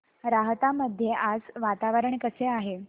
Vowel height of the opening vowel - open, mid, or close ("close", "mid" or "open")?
open